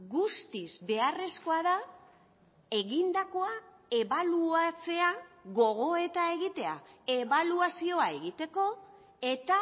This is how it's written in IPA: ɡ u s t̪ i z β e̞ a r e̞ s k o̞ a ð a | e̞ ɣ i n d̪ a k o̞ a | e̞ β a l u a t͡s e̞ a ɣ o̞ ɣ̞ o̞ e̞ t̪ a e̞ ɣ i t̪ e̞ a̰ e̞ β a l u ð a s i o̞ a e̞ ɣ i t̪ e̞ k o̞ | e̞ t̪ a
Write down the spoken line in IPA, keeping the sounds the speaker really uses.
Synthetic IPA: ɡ u s t̪ i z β e̞ a r e̞ s k o̞ a ð a | e̞ ɣ i n d̪ a k o̞ a | e̞ β a l u a t͡s e̞ a ɣ o̞ ɣ̞ o̞ e̞ t̪ a e̞ ɣ i t̪ e̞ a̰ e̞ β a l u a s i o̞ a e̞ ɣ i t̪ e̞ k o̞ | e̞ t̪ a